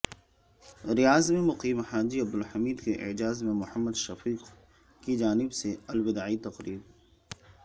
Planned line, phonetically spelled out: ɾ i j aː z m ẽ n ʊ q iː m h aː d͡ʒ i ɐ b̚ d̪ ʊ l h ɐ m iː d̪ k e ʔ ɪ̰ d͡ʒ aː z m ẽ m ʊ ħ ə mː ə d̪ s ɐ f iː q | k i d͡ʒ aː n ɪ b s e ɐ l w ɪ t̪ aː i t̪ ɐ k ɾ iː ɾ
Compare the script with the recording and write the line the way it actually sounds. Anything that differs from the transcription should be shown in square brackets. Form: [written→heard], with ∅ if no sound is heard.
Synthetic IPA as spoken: ɾ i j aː z m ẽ [n→m] ʊ q iː m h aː d͡ʒ i ɐ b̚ d̪ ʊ l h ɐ m iː d̪ k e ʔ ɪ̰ d͡ʒ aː z m ẽ m ʊ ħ ə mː ə d̪ [s→ʃ] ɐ f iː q | k i d͡ʒ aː n ɪ b s e ɐ l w ɪ [t̪→d̪] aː i t̪ ɐ [k→q] ɾ iː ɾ

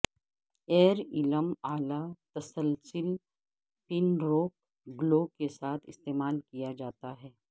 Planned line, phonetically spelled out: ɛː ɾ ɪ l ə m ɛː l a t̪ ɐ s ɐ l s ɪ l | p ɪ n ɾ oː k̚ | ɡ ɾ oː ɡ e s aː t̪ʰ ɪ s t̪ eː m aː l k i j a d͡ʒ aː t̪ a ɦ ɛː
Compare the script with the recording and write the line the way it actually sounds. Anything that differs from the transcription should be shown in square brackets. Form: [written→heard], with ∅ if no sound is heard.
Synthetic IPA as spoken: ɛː ɾ ɪ l ə m [ɛː→aː] l a t̪ ɐ s [ɐ→ə] l s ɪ l | p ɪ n ɾ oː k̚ | ɡ [ɾ→l] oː [ɡ→k] e s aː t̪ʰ ɪ s t̪ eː m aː l k i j a d͡ʒ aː t̪ a ɦ ɛː

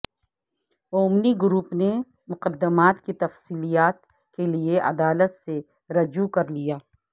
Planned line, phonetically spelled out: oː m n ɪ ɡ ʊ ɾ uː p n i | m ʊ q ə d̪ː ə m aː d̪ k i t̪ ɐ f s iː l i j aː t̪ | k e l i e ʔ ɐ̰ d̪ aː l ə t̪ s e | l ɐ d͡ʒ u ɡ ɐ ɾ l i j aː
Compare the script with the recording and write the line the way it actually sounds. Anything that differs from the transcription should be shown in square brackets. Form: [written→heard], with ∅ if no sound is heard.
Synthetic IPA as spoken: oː m n [ɪ→i] ɡ ʊ ɾ uː p n [i→e] | m ʊ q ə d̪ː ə m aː [d̪→t̪] k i t̪ ɐ f s iː l i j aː t̪ | k e l i e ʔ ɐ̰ d̪ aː l ə t̪ s e | [l→ɾ] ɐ d͡ʒ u [ɡ→k] ɐ ɾ l i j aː

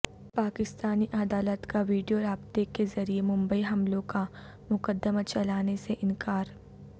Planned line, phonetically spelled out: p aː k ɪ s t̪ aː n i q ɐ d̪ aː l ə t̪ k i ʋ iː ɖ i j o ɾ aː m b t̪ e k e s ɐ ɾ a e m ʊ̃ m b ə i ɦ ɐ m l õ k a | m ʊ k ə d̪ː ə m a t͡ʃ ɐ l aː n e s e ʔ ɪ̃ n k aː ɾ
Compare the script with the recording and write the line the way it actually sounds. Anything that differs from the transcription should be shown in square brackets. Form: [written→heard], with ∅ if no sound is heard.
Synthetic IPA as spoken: p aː k ɪ s t̪ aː n i [q→ʔ] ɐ d̪ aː l ə t̪ k [i→a] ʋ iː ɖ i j o ɾ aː [m→∅] b t̪ e k e [s→z] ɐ ɾ [a→i] e m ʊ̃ m b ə i ɦ ɐ m l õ k a | m ʊ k ə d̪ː ə m a t͡ʃ ɐ l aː n e s e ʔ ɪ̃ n k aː ɾ

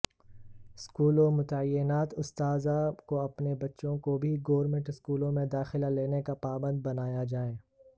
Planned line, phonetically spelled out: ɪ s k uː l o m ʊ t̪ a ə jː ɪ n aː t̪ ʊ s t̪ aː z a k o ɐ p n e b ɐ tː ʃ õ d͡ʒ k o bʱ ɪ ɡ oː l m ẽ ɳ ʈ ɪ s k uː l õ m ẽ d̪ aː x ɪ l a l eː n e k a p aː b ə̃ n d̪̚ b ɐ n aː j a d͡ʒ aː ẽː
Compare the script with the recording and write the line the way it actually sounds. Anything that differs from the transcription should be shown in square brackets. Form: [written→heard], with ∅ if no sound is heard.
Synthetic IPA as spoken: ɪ s k uː l o m ʊ t̪ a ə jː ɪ n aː t̪ ʊ s t̪ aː z a k o ɐ p n e b ɐ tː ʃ õ [d͡ʒ→∅] k o bʱ [ɪ→i] ɡ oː [l→ɾ] m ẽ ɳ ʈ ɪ s k uː l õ m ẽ d̪ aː x ɪ l a l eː n e k a p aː b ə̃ n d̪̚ b ɐ n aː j a d͡ʒ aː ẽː

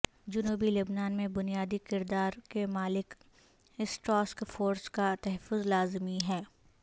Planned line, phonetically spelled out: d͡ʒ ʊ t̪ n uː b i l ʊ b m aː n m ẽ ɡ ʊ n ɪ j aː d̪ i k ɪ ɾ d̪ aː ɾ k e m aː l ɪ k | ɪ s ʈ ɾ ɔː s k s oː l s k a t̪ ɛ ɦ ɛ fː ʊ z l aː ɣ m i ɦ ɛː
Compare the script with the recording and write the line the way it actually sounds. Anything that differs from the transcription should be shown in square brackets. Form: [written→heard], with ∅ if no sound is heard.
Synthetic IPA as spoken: d͡ʒ ʊ [t̪→∅] n uː b i l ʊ b [m→n] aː n m ẽ [ɡ→b] ʊ n [ɪ→i] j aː d̪ i k ɪ ɾ d̪ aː ɾ k e m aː l ɪ k | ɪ s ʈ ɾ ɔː s k [s→f] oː [l→ɾ] s k a t̪ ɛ ɦ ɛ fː ʊ z l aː [ɣ→z] m i ɦ ɛː

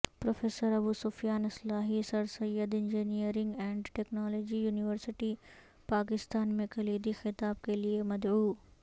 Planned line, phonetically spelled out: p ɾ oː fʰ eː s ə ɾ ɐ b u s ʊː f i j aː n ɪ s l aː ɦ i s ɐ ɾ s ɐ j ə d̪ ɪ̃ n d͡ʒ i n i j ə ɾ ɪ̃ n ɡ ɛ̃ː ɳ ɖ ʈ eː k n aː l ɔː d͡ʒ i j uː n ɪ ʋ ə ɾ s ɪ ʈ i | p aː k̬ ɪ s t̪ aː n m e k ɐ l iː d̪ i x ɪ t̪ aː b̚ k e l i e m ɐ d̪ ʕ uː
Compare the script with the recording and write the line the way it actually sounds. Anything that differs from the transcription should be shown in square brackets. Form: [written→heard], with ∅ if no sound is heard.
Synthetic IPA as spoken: p ɾ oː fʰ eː s ə ɾ ɐ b u s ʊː f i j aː n ɪ s l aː ɦ i s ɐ ɾ s ɐ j ə d̪ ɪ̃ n d͡ʒ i n i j ə ɾ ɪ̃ [n→ŋ] ɡ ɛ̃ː ɳ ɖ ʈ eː k n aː l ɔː d͡ʒ i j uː n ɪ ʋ ə ɾ s ɪ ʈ i | p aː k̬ ɪ s t̪ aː n m [e→ẽ] k ɐ l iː d̪ i x ɪ t̪ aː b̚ k e l i e m ɐ d̪ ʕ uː

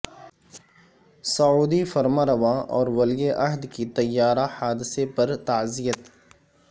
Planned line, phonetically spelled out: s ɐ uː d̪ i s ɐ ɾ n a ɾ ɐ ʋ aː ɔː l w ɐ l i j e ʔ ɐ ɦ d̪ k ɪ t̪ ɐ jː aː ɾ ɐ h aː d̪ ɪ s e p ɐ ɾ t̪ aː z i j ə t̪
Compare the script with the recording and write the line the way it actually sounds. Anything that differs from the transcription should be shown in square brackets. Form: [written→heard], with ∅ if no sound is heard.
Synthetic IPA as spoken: s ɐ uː d̪ i [s→f] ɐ ɾ [n→m] a ɾ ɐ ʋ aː ɔː [l→ɾ] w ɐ l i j e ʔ ɐ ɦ d̪ k [ɪ→i] t̪ ɐ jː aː ɾ [ɐ→a] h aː d̪ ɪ s e p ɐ ɾ t̪ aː z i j ə t̪

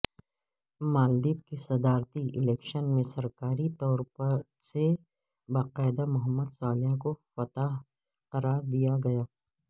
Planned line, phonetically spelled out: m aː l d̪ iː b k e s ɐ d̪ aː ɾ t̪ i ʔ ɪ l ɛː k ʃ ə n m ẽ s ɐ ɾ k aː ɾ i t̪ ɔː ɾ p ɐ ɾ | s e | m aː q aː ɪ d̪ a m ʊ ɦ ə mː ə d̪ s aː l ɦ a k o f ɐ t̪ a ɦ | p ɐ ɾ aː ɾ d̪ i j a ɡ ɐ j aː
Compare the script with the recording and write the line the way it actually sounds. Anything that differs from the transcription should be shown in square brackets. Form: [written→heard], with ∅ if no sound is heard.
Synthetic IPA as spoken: m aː l d̪ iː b k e s ɐ d̪ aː ɾ t̪ i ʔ ɪ l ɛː k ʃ ə n m ẽ s ɐ ɾ k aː ɾ i t̪ ɔː ɾ p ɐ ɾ | s e | [m→b] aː q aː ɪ d̪ a m ʊ ɦ ə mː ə d̪ s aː l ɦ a k o f ɐ t̪ a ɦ | [p→q] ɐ ɾ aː ɾ d̪ i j a ɡ ɐ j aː

